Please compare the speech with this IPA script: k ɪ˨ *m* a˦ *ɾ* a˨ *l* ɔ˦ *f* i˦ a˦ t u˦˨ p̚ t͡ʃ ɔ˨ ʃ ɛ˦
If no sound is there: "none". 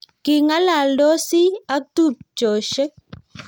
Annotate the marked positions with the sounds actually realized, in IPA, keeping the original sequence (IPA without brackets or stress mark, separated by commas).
ŋ, l, l, s